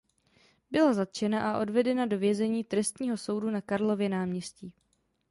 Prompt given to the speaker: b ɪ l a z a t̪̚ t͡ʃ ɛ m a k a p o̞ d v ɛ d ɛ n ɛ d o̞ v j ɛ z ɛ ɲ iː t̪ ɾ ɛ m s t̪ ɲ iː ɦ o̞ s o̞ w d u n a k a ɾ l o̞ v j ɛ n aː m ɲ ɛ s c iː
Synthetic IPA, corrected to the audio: b ɪ l a z a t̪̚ t͡ʃ ɛ n a ʔ a ʔ o̞ d v ɛ d ɛ n a d o̞ v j ɛ z ɛ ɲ iː t̪ ɾ ɛ s t̪ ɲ iː ɦ o̞ s o̞ w d u n a k a ɾ l o̞ v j ɛ n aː m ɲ ɛ s c iː